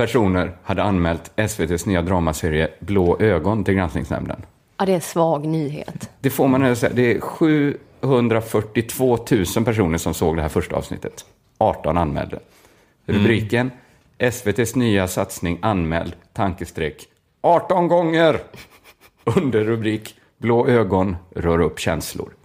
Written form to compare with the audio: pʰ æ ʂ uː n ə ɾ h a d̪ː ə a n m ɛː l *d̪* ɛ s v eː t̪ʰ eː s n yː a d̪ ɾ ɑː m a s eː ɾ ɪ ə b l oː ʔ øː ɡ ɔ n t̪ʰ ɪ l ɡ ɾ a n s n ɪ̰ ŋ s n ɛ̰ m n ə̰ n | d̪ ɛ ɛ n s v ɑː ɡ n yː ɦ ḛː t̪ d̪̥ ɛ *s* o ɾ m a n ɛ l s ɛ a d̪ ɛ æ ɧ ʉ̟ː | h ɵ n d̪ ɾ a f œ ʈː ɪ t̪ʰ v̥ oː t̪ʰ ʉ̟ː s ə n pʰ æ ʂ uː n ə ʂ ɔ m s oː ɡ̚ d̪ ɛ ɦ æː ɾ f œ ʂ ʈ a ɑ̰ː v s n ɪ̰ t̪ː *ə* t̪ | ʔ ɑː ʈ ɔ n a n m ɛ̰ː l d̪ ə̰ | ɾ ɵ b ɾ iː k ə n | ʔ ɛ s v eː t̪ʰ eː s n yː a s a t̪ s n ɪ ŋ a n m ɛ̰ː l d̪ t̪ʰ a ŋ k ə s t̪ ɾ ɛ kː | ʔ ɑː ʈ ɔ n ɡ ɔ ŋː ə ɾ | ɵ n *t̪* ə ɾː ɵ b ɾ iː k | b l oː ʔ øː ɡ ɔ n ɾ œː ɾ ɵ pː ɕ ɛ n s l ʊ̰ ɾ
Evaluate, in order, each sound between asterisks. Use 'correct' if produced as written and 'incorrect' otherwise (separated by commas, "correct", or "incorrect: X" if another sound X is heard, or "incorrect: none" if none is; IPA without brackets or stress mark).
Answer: incorrect: t̪, incorrect: f, correct, incorrect: d̪